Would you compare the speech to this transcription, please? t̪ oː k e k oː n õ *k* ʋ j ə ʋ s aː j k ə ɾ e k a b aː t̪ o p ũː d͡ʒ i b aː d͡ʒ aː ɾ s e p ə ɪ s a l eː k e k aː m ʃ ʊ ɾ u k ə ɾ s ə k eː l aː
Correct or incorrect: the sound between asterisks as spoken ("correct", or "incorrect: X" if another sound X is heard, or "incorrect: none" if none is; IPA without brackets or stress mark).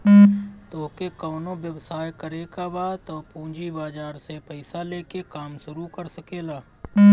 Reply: incorrect: none